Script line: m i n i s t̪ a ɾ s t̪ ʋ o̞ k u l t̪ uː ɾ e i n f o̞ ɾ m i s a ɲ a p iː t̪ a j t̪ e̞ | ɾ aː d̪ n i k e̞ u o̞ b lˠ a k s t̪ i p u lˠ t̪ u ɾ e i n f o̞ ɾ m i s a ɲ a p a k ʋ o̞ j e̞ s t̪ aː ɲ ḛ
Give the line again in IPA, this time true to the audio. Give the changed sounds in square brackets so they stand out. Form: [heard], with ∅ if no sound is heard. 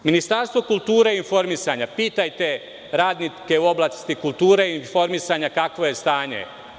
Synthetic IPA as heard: m i n i s t̪ a ɾ s t̪ ʋ o̞ k u l t̪ uː ɾ e i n f o̞ ɾ m i s a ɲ a p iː t̪ a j t̪ e̞ | ɾ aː d̪ n i k e̞ u o̞ b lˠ a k s t̪ i [k] u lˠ t̪ [uː] ɾ e i n f o̞ ɾ m i s a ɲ a [k] a k ʋ o̞ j e̞ s t̪ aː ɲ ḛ